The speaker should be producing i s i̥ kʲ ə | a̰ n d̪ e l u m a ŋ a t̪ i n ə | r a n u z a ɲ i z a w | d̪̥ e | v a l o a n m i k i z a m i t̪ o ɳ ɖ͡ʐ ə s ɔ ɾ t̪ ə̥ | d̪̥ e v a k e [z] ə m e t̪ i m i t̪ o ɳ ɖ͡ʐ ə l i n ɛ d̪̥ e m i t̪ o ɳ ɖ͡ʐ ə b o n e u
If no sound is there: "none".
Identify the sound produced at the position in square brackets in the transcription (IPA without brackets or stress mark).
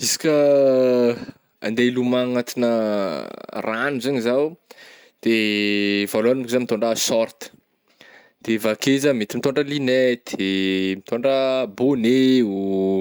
z